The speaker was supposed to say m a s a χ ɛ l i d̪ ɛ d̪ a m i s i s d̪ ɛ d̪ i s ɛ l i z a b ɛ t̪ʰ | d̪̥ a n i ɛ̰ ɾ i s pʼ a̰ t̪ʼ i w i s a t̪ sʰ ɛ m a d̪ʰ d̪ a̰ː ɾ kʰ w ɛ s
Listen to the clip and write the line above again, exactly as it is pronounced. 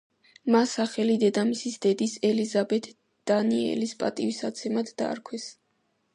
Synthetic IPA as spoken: m a s a χ ɛ l i d̪ ɛ d̪ a m i s i s d̪ ɛ d̪ i s ɛ l i z a b ɛ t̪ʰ | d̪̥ a n i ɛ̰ l i s pʼ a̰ t̪ʼ i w i s a t̪ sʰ ɛ m a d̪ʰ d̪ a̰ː ɾ kʰ w ɛ s